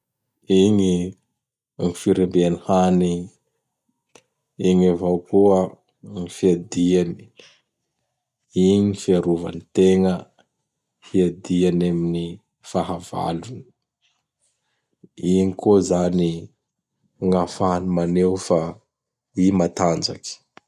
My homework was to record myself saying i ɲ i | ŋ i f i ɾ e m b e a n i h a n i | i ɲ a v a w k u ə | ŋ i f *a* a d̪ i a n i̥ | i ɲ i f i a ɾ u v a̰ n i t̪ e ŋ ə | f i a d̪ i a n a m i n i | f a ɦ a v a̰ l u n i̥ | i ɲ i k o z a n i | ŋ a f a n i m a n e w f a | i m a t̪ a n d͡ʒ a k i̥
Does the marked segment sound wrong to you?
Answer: yes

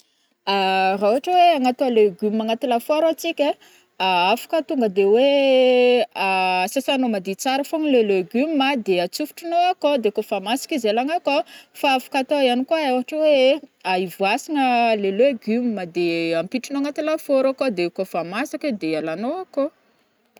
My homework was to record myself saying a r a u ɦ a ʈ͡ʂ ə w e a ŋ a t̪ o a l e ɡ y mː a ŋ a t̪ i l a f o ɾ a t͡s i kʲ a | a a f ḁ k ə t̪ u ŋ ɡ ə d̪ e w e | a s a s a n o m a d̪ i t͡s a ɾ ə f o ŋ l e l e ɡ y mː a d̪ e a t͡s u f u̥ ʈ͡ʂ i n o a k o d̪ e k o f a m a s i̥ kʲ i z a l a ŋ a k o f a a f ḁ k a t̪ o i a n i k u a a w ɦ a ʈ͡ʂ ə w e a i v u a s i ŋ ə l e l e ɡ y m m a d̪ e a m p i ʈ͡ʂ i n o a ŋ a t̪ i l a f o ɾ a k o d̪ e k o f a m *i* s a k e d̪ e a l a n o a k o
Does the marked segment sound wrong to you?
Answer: yes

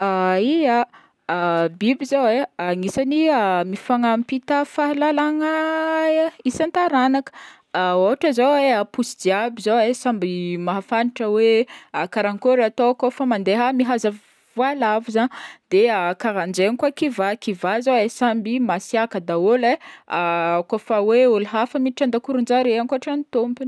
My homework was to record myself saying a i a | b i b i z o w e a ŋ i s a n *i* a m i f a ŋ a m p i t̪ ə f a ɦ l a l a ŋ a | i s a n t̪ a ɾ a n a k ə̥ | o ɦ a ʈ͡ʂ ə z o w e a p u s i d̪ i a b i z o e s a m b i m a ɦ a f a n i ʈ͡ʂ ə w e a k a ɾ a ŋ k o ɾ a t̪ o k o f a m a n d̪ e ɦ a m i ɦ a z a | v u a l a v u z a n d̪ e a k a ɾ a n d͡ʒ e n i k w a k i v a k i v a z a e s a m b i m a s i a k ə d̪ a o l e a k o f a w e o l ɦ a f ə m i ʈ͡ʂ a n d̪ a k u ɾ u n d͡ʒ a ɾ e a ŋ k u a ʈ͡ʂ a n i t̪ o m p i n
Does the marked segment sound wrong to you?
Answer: no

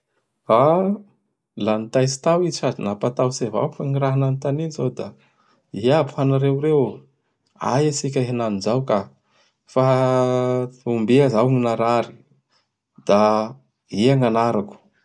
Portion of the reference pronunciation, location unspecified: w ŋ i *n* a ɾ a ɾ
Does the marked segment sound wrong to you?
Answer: no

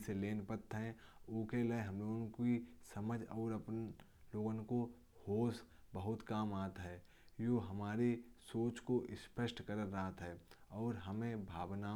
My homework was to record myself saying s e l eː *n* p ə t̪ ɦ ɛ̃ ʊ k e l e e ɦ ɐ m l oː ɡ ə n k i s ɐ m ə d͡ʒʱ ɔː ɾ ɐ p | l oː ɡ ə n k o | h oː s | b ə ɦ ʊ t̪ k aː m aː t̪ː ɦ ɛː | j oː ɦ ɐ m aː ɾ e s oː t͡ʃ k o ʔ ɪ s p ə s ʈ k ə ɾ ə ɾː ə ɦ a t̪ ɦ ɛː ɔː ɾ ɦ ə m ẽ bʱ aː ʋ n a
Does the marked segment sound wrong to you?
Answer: no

